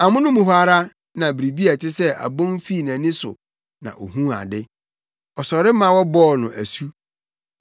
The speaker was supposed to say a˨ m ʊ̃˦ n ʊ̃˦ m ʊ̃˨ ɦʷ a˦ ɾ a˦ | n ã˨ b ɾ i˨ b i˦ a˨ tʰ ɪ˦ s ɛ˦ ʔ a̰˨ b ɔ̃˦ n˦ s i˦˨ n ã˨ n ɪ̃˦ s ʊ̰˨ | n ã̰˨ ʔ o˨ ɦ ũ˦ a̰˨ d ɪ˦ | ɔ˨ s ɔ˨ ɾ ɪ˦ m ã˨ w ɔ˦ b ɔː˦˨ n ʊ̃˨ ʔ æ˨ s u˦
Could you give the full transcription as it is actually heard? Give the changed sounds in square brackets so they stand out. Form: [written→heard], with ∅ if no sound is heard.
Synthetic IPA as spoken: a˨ m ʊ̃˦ n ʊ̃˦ m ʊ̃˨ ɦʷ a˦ ɾ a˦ | n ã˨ b ɾ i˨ b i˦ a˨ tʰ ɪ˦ s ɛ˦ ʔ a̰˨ b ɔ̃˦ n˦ [s→f] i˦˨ n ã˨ n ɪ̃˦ s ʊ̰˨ | n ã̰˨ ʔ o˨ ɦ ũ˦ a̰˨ d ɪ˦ | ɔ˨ s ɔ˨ ɾ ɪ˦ m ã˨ w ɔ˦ b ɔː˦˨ n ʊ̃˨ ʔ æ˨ s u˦